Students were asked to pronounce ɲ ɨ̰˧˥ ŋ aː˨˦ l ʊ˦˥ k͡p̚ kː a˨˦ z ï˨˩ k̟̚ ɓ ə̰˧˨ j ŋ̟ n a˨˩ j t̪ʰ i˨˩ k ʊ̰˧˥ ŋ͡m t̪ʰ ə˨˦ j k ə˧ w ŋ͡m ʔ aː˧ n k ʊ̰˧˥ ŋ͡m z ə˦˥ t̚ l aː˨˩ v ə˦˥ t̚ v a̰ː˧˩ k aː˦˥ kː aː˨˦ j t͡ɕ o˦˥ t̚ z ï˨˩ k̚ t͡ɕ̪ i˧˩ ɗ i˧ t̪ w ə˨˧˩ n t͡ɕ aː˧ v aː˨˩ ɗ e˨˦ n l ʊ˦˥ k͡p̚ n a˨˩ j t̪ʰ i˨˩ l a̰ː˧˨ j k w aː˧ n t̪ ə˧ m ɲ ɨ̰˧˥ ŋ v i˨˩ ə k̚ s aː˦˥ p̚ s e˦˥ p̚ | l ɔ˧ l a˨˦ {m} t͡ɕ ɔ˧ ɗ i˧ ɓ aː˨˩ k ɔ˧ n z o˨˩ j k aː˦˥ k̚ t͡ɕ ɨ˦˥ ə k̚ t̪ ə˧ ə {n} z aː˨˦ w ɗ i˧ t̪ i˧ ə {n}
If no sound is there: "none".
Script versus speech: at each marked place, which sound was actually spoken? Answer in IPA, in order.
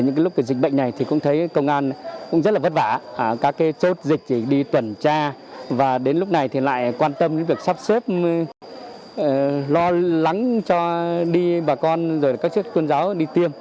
ŋ, n, m

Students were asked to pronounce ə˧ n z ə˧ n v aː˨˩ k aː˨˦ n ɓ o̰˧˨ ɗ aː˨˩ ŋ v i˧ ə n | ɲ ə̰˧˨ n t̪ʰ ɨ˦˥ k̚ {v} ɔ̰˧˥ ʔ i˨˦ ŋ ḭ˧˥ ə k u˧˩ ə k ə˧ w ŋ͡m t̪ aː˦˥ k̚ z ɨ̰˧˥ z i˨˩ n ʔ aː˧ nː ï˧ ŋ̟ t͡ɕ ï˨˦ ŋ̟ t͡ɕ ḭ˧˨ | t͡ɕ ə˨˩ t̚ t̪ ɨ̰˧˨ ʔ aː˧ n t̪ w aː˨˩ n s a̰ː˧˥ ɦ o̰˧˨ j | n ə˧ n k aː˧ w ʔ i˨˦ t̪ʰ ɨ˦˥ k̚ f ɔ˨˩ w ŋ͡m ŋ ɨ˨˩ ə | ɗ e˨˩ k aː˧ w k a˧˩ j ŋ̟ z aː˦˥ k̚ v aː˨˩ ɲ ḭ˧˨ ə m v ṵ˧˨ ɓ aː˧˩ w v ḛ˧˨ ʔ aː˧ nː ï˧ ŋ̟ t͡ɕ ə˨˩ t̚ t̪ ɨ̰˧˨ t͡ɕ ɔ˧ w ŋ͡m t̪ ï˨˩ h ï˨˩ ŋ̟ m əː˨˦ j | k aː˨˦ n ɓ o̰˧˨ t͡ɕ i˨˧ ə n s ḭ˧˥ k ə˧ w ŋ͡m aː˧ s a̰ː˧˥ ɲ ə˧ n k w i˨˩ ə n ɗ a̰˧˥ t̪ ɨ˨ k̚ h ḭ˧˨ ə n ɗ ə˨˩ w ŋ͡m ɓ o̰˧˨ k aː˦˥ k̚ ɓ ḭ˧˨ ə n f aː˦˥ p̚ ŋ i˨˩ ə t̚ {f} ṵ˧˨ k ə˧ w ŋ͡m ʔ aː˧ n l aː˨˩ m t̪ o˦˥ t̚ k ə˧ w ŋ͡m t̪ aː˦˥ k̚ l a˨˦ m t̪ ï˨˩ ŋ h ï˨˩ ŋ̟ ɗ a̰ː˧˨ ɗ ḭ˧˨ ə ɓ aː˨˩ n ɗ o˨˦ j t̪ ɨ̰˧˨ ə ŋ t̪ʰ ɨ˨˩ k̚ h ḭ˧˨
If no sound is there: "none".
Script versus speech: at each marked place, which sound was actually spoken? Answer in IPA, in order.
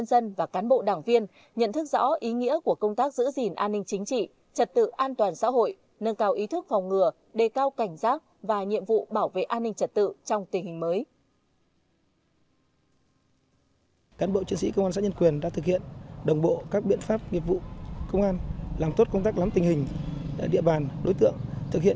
z, v

